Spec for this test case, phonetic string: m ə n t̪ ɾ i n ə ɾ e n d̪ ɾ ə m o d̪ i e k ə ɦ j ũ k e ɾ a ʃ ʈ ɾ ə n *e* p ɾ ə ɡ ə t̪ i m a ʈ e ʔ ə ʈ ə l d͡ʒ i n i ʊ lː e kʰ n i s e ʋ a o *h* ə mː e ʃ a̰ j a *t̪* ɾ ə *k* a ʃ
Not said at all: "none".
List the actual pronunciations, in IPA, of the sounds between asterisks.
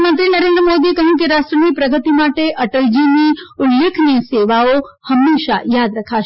i, h, d̪, kʰ

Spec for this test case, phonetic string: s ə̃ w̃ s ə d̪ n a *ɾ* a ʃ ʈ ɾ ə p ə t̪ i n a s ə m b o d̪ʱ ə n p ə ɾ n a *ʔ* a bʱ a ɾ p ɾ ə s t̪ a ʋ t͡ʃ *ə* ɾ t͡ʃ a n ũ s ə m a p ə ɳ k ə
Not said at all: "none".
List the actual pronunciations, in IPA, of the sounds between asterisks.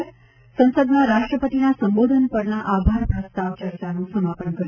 ɾ, ʔ, ə

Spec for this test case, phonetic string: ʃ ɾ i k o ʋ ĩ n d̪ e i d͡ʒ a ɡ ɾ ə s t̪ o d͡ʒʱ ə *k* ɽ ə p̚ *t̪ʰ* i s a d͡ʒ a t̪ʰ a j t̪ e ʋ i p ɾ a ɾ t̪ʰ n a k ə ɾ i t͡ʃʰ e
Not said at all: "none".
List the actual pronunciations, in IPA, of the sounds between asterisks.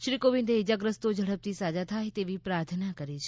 none, t̪

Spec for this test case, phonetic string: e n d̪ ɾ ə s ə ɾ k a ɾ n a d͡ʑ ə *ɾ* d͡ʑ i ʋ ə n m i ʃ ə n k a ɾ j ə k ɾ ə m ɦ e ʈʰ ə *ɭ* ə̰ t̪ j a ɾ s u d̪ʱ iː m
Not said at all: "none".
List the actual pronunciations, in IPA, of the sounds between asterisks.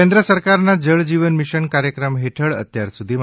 ɭ, ɭ

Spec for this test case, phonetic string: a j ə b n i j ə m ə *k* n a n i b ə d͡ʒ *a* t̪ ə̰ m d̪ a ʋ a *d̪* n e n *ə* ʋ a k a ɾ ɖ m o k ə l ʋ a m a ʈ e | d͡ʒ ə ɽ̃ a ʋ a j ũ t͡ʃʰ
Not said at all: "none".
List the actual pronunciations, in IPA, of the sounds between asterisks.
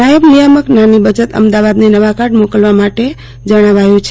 k, ə, d̪, ə

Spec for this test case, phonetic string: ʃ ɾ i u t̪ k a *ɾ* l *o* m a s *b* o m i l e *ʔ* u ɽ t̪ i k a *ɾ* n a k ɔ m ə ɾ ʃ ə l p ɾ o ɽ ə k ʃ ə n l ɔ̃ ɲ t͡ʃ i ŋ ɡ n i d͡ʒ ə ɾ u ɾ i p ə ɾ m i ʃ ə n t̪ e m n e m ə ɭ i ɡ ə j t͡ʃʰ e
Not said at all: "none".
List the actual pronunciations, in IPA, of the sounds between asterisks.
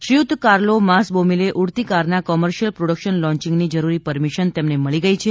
ɾ, o, b, ʔ, ɾ

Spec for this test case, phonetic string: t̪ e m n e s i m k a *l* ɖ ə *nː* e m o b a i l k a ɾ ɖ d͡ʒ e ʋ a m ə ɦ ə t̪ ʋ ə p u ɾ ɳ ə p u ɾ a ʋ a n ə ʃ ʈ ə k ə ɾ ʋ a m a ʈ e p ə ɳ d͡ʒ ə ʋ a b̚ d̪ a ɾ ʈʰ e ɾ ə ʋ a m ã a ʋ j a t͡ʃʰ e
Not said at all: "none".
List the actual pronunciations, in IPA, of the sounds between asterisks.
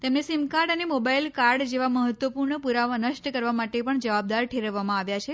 ɾ, n

